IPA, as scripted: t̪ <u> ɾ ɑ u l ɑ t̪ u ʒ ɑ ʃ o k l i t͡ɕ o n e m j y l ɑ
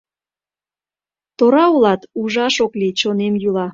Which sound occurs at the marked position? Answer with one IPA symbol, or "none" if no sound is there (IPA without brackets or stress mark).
o